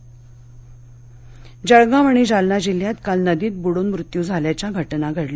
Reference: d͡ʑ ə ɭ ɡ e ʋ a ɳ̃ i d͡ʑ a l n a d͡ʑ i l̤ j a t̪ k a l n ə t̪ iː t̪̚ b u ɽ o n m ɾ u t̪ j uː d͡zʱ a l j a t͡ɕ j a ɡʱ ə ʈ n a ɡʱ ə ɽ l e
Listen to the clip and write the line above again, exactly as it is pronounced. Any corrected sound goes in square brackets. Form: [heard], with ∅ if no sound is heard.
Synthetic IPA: d͡ʑ ə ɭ ɡ [a] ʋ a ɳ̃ i d͡ʑ a l n a d͡ʑ i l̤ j a t̪ k a l n ə [d̪] iː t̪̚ b u ɽ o n m ɾ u t̪ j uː d͡zʱ a l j a t͡ɕ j a ɡʱ ə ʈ n a ɡʱ ə ɽ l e

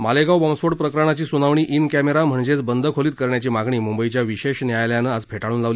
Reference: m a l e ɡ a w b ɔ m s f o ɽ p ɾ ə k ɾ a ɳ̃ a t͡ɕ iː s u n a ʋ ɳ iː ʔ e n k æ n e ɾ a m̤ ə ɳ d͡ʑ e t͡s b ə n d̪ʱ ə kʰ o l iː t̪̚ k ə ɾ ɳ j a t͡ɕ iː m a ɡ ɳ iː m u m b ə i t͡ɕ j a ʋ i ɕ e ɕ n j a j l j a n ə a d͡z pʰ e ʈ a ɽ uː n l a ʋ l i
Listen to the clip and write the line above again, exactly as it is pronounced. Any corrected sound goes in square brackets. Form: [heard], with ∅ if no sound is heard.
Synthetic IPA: m a l e ɡ a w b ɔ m s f o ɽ p ɾ ə k ɾ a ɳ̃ a t͡ɕ iː s u n a ʋ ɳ iː ʔ [i] n k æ [m] e ɾ a m̤ ə ɳ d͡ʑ e t͡s b ə n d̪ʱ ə kʰ o l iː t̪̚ k ə ɾ ɳ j a t͡ɕ iː m a ɡ ɳ iː m u m b ə i t͡ɕ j a ʋ i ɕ e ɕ n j a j l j a n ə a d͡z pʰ e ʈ a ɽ uː n l a ʋ l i

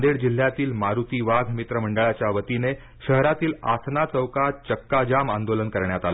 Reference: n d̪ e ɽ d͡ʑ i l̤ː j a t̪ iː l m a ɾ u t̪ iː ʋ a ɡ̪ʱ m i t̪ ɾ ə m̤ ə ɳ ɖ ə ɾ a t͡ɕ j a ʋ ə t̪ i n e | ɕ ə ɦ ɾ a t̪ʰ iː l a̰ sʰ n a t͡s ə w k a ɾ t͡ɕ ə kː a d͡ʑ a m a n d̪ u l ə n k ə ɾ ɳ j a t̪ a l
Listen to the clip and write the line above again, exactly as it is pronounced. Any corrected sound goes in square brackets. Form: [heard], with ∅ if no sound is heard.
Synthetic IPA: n d̪ e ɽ d͡ʑ i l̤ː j a t̪ iː l m a ɾ u t̪ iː ʋ a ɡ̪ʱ m i t̪ ɾ ə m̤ ə ɳ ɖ ə [ɭ] a t͡ɕ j a ʋ ə t̪ i n e | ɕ ə ɦ ɾ a [t̪] iː l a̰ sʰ n a t͡s ə w k a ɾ t͡ɕ ə kː a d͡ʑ a m a n d̪ [o] l ə n k ə ɾ ɳ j a t̪ a l

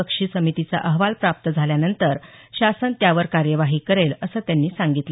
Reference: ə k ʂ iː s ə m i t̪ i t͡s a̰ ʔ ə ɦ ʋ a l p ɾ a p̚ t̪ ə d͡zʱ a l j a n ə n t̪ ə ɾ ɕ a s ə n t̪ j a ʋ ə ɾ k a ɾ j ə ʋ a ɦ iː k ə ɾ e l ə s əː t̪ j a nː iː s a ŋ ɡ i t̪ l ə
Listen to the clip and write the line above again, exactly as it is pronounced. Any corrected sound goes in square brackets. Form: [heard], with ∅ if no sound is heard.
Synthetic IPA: ə k ʂ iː s ə m i t̪ i t͡s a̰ ʔ ə ɦ ʋ a l p ɾ a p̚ t̪ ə d͡zʱ a l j a n ə n t̪ ə ɾ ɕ a s ə n t̪ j a ʋ ə ɾ k a ɾ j ə ʋ a ɦ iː k ə ɾ e l ə s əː t̪ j a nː iː s a ŋ ɡ i t̪ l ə

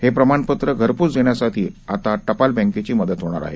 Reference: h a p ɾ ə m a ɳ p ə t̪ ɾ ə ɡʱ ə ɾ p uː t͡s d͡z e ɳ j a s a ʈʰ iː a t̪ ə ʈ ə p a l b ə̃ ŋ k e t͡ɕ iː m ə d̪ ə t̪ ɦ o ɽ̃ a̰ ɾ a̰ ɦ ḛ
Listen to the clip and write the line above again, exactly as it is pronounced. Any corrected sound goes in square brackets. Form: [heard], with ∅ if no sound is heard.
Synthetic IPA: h [e] p ɾ ə m a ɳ p ə t̪ ɾ ə ɡʱ ə ɾ p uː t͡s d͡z e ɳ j a s a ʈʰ iː a t̪ [a] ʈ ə p a l b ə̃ ŋ k e t͡ɕ iː m ə d̪ ə t̪ ɦ o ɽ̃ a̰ ɾ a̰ ɦ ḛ

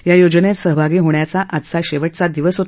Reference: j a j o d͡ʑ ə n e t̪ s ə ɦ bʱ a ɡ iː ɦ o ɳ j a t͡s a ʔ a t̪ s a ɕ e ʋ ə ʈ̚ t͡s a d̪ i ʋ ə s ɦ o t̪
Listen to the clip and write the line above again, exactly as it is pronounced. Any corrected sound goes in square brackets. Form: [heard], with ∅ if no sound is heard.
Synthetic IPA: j a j o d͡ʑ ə n e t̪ s ə ɦ bʱ a ɡ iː ɦ o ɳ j a t͡s a ʔ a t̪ s a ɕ e ʋ ə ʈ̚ t͡s a d̪ i ʋ ə s ɦ o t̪

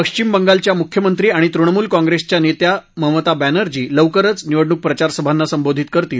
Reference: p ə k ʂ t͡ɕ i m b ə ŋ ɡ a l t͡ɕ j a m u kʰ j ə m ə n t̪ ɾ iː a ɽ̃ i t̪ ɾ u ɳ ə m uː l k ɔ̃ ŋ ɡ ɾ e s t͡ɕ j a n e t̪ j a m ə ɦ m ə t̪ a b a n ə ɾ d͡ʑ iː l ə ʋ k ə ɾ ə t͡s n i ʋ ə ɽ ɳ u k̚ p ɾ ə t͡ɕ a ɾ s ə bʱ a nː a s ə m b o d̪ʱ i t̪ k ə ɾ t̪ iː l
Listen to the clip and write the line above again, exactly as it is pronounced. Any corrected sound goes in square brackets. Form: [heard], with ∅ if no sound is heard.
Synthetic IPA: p ə k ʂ t͡ɕ i m b ə ŋ ɡ a l t͡ɕ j a m u kʰ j ə m ə n t̪ ɾ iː a ɽ̃ i t̪ ɾ u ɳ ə m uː l k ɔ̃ ŋ ɡ ɾ e s t͡ɕ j a n e t̪ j a m ə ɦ m ə t̪ a b [æ] n ə ɾ d͡ʑ iː l ə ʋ k ə ɾ ə t͡s n i ʋ ə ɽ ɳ u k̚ p ɾ ə t͡ɕ a ɾ s ə bʱ a nː a s ə m b o d̪ʱ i t̪ k ə ɾ t̪ iː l

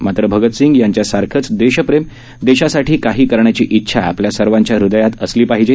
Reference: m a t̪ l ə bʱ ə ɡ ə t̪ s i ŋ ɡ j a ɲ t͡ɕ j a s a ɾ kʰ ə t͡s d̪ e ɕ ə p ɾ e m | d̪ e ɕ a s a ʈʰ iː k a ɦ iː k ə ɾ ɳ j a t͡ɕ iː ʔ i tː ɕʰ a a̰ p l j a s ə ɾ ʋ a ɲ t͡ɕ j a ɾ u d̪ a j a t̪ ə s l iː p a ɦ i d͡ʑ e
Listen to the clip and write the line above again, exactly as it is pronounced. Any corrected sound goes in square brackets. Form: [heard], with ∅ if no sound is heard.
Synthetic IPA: m a t̪ [ɾ] ə bʱ ə ɡ ə t̪ s i ŋ ɡ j a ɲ t͡ɕ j a s a ɾ kʰ ə t͡s d̪ e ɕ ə p ɾ e m | d̪ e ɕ a s a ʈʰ iː k a ɦ iː k ə ɾ ɳ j a t͡ɕ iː ʔ i tː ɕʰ a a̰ p l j a s ə ɾ ʋ a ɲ t͡ɕ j a ɾ u d̪ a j a t̪ ə s l iː p a ɦ i d͡ʑ e

